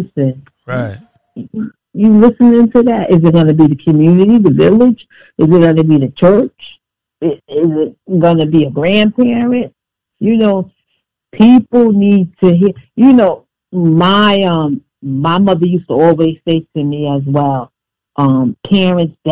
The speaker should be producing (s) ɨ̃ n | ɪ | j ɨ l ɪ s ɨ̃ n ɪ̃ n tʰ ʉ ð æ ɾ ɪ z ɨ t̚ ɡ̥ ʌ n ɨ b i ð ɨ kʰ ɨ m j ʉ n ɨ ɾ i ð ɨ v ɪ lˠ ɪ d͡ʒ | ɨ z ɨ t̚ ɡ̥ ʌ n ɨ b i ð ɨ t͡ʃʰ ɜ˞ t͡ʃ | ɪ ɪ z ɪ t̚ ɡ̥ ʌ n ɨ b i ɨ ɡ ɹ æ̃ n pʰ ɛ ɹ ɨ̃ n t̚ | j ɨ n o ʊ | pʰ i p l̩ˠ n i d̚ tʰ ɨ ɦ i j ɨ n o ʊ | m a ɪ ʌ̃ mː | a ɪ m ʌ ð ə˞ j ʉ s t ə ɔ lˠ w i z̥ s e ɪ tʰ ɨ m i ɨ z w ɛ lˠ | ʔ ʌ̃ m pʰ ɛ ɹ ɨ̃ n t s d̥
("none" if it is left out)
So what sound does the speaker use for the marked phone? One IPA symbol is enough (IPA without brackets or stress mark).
s